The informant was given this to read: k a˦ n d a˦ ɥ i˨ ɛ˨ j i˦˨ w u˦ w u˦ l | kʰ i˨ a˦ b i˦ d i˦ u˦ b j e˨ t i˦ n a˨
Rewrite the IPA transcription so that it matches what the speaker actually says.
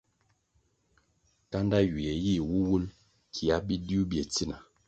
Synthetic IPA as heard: k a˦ n d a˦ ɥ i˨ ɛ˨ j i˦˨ w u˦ w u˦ l | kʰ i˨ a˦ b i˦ d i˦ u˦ b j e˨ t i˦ n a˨